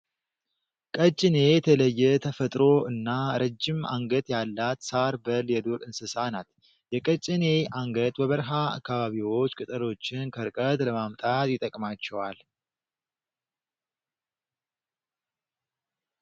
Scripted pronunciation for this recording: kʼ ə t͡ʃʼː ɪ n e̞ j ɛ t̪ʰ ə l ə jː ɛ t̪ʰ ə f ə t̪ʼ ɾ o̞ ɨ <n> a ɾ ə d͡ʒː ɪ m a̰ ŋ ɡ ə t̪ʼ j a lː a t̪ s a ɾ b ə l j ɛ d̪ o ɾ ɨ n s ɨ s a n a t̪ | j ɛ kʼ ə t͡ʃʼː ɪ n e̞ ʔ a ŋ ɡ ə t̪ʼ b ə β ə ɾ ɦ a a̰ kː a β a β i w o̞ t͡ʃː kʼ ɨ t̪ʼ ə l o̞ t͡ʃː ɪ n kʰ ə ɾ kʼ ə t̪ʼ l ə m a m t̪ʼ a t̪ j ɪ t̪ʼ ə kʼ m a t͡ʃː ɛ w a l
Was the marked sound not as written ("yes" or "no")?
yes